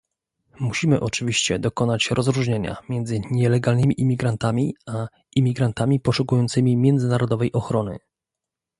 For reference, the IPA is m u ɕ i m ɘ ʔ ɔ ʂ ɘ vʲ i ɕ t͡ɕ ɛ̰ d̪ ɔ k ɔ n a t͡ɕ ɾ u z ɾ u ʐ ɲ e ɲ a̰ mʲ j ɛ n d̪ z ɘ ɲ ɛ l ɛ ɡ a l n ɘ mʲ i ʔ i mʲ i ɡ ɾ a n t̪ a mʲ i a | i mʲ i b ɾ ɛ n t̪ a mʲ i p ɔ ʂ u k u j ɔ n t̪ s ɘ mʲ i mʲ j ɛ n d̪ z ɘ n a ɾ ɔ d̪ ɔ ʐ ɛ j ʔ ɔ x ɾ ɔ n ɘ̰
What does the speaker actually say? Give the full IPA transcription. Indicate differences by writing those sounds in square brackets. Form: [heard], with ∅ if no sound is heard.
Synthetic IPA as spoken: m u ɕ i m ɘ ʔ ɔ [t͡ʂ] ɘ vʲ i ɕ t͡ɕ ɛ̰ d̪ ɔ k ɔ n a t͡ɕ ɾ [ɔ] z ɾ u ʐ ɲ e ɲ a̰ mʲ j ɛ n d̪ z ɘ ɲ ɛ l ɛ ɡ a l n ɘ mʲ i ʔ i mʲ i ɡ ɾ a n t̪ a mʲ i a | i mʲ i [ɡ] ɾ [a] n t̪ a mʲ i p ɔ ʂ u k u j ɔ n t̪ s ɘ mʲ i mʲ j ɛ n d̪ z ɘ n a ɾ ɔ d̪ ɔ [v] ɛ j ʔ ɔ x ɾ ɔ n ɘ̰